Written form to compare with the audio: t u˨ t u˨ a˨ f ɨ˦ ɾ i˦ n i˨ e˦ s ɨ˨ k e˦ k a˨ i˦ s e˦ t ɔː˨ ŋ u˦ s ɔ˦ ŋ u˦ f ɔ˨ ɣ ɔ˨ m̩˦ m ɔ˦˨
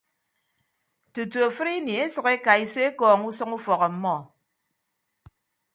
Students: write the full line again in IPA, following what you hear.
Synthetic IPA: t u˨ t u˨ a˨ f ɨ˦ ɾ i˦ n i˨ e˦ s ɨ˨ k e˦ k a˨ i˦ s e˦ k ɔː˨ ŋ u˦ s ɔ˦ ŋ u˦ f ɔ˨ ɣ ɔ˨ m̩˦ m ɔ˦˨